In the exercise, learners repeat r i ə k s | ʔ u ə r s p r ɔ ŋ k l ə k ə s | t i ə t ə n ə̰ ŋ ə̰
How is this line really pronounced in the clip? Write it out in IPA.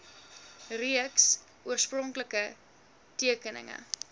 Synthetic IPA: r i ə k s | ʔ u ə r s p r ɔ ŋ k l ə k ə | t i ə k ə n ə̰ ŋ ə̰